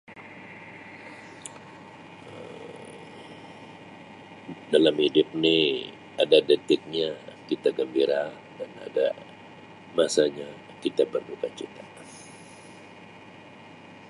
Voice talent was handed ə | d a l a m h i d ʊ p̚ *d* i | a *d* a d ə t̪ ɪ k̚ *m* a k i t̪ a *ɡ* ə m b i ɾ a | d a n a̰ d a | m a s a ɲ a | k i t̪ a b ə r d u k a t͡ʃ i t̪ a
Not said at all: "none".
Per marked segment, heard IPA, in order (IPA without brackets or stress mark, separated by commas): n, d, ɲ, ɡ